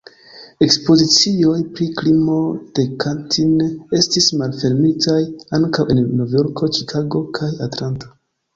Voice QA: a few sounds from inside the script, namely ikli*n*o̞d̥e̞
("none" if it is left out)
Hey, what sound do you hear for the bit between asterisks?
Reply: m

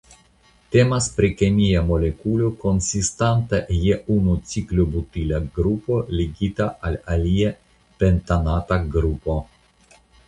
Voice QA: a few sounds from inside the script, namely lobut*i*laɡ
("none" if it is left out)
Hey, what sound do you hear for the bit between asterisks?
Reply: i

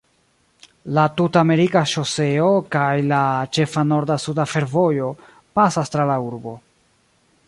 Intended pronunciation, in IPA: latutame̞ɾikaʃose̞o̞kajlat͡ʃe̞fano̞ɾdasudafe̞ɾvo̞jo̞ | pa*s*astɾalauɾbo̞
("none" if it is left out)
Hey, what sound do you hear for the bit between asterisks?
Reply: s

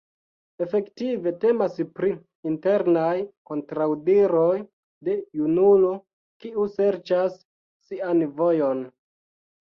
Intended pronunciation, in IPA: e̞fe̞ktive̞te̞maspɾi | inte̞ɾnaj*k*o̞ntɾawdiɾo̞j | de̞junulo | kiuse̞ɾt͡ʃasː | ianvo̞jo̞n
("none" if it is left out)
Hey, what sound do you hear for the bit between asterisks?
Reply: k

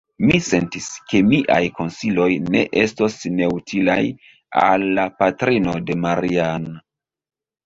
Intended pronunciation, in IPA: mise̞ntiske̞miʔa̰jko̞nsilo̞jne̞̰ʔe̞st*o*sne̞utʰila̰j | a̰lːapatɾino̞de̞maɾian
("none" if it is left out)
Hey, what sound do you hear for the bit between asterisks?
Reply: o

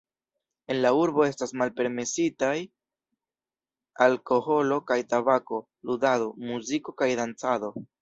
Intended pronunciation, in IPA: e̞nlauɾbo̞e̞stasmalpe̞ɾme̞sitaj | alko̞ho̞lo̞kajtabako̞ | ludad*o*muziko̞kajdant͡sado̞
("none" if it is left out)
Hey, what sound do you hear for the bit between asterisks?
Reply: o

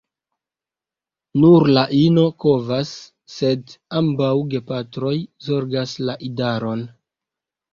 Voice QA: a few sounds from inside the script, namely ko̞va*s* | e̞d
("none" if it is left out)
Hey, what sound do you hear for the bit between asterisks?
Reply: sː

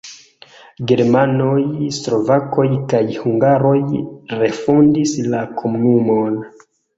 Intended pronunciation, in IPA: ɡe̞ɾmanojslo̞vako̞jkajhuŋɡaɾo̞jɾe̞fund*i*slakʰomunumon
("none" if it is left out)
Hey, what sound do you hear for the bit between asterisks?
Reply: i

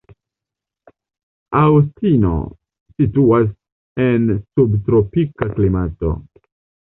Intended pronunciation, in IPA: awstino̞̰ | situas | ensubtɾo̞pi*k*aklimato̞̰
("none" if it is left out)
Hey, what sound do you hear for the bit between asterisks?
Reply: k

